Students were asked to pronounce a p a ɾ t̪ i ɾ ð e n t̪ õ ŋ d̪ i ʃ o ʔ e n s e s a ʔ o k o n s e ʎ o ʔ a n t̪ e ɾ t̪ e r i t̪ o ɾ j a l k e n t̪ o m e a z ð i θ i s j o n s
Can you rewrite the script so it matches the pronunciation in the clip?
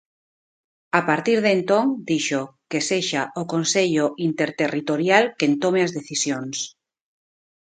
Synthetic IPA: a p a ɾ t̪ i ɾ ð e n t̪ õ ŋ d̪ i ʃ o k e s e ʃ a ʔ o k o n s e ʎ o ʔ i n t̪ e ɾ t̪ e r i t̪ o ɾ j a l k e n t̪ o m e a z ð e θ i s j o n s

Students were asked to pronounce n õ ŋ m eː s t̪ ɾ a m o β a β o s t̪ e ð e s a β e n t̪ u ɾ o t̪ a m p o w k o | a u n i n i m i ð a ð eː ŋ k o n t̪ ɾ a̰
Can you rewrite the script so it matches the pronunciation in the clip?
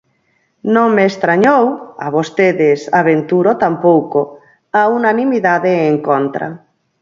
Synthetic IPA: n õ ŋ m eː s t̪ ɾ a ɲ o w a β o s t̪ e ð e s a β e n t̪ u ɾ o t̪ a m p o w k o | a u n a n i m i ð a ð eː ŋ k o n t̪ ɾ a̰

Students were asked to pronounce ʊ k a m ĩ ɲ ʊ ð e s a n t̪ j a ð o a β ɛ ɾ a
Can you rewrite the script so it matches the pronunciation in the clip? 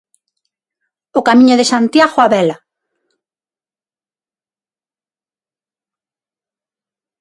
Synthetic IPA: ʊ k a m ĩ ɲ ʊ ð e s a n t̪ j a ɣ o a β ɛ l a

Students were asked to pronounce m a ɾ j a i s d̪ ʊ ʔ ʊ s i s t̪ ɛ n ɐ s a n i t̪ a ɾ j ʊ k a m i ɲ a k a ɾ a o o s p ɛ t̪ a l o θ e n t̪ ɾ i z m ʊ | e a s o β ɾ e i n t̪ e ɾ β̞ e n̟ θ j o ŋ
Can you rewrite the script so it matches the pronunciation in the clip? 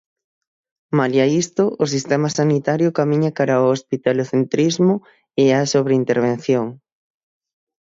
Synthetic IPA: m a l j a i s t̪ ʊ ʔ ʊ s i s t̪ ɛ m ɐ s a n i t̪ a ɾ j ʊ k a m i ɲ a k a ɾ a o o s p i t̪ a l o θ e n t̪ ɾ i z m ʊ | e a s o β ɾ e i n t̪ e ɾ β̞ e n̟ θ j o ŋ

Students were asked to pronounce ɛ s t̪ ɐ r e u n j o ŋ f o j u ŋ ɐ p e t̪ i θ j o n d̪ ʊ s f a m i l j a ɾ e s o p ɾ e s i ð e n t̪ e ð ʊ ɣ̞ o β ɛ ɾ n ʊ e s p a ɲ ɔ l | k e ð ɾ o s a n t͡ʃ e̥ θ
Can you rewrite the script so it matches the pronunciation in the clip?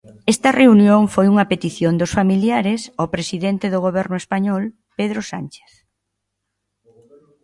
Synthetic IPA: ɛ s t̪ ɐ r e u n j o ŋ f o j u ŋ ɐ p e t̪ i θ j o n d̪ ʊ s f a m i l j a ɾ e s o p ɾ e s i ð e n t̪ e ð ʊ ɣ̞ o β ɛ ɾ n ʊ e s p a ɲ ɔ l | p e ð ɾ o s a n t͡ʃ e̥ θ

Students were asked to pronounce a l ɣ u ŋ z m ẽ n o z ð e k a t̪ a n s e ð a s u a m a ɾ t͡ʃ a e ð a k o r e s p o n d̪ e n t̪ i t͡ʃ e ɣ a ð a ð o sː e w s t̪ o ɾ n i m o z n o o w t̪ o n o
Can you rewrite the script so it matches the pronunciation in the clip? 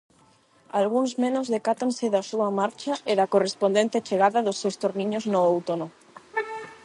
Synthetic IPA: a l ɣ u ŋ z m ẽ n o z ð e k a t̪ a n s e ð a s u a m a ɾ t͡ʃ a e ð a k o r e s p o n d̪ e n t̪ e t͡ʃ e ɣ a ð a ð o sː e w s t̪ o ɾ n i ɲ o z n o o w t̪ o n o

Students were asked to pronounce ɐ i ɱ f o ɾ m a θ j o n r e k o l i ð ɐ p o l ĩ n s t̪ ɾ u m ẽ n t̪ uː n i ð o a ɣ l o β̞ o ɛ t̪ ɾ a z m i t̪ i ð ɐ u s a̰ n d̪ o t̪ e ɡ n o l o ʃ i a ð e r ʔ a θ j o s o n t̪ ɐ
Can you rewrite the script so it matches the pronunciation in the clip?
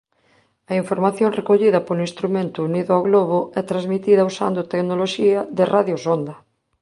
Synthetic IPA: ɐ i ɱ f o ɾ m a θ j o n r e k o ʎ i ð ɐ p o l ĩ n s t̪ ɾ u m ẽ n t̪ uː n i ð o a ɣ l o β̞ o ɛ t̪ ɾ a z m i t̪ i ð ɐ u s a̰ n d̪ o t̪ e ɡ n o l o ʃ i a ð e r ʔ a ð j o s o n d̪ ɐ

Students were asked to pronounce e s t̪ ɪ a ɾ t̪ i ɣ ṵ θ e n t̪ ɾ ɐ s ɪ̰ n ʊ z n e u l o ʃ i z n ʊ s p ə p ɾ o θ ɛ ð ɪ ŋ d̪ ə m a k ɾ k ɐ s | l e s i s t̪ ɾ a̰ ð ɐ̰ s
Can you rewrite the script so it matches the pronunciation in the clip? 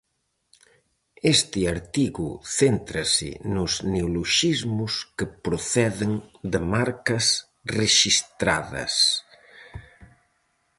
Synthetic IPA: e s t̪ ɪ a ɾ t̪ i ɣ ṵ θ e n t̪ ɾ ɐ s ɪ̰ n ʊ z n e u l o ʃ i z m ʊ s k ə p ɾ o θ ɛ ð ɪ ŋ d̪ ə m a ɾ k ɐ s | r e ʃ i s t̪ ɾ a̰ ð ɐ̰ s

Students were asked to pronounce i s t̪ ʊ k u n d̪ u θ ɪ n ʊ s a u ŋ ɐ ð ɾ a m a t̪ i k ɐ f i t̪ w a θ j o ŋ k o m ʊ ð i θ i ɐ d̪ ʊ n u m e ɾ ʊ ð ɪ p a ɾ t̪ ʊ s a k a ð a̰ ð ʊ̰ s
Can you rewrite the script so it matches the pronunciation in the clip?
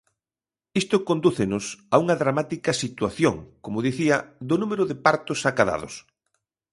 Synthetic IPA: i s t̪ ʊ k o n d̪ u θ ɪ n ʊ s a u ŋ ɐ ð ɾ a m a t̪ i k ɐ s i t̪ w a θ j o ŋ k o m ʊ ð i θ i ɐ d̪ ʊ n u m e ɾ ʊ ð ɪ p a ɾ t̪ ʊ s a k a ð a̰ ð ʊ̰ s

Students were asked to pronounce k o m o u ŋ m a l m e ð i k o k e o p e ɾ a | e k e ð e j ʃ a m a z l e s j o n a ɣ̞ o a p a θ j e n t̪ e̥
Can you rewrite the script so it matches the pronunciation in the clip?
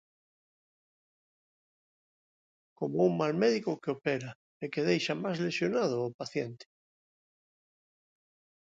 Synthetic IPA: k o m o u ŋ m a l m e ð i k o k e o p e ɾ a | e k e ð e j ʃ a m a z l e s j o n a ð̞ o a p a θ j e n t̪ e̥

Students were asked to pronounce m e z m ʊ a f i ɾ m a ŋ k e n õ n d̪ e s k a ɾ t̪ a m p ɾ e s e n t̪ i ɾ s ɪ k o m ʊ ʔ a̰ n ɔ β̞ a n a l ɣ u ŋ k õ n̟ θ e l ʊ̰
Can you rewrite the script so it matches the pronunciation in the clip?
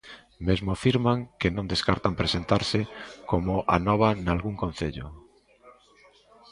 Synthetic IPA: m e z m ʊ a f i ɾ m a ŋ k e n õ n d̪ e s k a ɾ t̪ a m p ɾ e s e n t̪ a ɾ s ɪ k o m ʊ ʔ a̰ n ɔ β̞ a n a l ɣ u ŋ k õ n̟ θ e ʎ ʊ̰

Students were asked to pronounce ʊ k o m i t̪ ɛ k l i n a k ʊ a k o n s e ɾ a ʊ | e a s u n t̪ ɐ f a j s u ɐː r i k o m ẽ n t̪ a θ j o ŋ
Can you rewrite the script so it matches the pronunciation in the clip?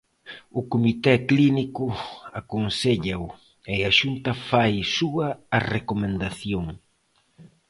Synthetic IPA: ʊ k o m i t̪ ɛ k l i n i k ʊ a k o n s e ʎ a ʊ | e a ʃ u n t̪ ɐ f a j s u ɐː r e k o m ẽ n d̪ a θ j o ŋ

